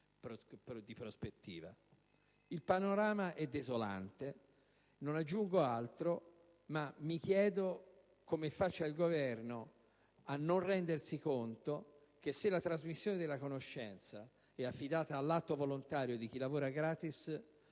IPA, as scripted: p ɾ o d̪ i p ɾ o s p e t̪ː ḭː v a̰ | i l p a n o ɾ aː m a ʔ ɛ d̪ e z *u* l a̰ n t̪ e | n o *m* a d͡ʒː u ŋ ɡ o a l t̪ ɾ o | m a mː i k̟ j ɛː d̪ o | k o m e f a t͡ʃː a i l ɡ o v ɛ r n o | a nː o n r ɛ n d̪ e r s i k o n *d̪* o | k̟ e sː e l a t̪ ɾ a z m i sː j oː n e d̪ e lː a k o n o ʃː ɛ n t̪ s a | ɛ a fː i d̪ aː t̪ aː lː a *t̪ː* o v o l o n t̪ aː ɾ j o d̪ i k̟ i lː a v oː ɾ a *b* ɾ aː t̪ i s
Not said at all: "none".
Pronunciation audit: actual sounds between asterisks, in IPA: o, n, t̪, t̪ː, ɡ

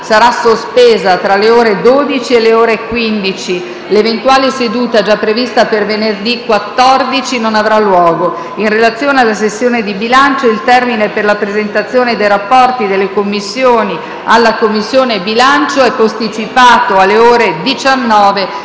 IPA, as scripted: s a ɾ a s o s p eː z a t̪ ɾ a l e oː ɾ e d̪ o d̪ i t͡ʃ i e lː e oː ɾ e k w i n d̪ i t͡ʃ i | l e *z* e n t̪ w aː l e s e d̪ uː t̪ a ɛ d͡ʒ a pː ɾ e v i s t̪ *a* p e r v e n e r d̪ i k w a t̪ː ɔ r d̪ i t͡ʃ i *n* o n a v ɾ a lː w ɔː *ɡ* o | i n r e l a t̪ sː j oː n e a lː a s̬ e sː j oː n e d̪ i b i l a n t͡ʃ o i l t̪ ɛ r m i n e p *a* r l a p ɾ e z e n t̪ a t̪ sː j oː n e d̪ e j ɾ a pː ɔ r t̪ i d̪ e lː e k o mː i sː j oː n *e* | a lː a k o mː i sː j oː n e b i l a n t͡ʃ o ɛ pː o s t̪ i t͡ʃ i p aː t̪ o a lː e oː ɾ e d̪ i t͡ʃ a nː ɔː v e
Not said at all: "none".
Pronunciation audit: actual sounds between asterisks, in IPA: v, a, n, ɡ, e, i

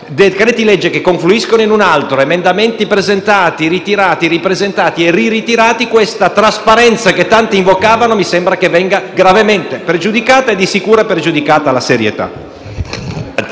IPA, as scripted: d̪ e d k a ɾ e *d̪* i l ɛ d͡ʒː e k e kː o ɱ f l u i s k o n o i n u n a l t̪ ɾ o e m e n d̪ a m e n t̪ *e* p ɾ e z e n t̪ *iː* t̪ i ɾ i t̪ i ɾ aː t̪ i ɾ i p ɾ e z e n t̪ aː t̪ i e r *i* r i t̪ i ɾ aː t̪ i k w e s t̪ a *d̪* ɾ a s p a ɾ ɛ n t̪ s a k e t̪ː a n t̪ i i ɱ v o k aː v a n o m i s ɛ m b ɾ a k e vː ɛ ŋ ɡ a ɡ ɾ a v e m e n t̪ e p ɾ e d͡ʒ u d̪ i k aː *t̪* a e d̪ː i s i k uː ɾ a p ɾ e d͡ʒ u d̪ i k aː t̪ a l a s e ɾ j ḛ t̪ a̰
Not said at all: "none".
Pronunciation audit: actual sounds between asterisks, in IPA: t̪, i, aː, i, t̪, t̪

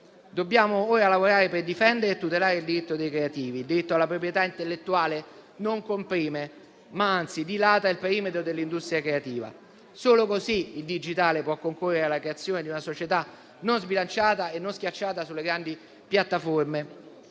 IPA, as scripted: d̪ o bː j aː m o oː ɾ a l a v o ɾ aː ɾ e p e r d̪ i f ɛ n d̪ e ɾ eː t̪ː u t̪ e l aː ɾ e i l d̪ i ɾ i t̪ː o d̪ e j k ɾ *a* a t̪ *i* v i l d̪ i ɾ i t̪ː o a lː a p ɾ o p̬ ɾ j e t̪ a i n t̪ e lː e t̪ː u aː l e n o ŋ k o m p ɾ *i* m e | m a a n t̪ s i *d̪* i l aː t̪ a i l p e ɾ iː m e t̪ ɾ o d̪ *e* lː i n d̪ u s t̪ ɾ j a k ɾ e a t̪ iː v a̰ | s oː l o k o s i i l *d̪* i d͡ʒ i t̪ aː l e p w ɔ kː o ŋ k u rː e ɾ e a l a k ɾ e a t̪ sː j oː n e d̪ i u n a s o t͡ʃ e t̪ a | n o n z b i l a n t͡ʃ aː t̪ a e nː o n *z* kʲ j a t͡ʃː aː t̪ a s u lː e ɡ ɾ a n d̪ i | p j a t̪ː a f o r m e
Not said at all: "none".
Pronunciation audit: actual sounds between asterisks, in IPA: e, iː, iː, d̪, e, d̪, s

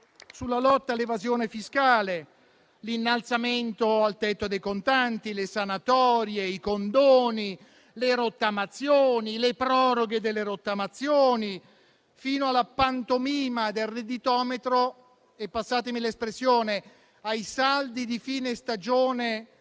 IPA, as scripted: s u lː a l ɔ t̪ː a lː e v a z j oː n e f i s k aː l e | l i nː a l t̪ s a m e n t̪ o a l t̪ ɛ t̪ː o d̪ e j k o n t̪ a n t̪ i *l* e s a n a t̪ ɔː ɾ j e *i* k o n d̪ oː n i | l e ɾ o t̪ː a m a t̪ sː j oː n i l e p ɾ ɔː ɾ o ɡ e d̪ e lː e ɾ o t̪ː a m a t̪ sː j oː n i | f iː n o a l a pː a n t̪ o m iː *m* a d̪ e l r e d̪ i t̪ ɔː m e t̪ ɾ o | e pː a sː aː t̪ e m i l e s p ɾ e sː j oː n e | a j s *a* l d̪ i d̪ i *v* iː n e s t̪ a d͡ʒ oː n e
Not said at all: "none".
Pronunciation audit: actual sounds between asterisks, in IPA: l, i, m, a, f

